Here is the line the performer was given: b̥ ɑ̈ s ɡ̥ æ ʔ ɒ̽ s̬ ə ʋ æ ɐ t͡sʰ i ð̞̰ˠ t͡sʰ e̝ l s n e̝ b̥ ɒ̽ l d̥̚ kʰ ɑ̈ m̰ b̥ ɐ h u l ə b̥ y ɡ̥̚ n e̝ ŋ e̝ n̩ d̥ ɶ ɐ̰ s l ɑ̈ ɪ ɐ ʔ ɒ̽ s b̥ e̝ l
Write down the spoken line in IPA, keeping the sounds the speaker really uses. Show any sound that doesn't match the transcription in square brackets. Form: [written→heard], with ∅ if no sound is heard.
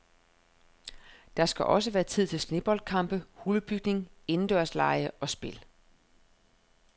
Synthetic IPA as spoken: [b̥→d̥] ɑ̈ s ɡ̥ æ ʔ ɒ̽ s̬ ə ʋ [æ→æː] ɐ t͡sʰ i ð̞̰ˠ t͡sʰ e̝ l s n e̝ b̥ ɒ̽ l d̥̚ kʰ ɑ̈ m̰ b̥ [ɐ→ə] h u l ə b̥ y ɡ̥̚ n e̝ ŋ e̝ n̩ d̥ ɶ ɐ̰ s l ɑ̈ ɪ [ɐ→ə] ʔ ɒ̽ s b̥ e̝ l